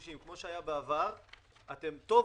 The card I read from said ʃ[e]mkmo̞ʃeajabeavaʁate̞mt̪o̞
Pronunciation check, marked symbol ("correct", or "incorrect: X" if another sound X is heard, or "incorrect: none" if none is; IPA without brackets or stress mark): incorrect: i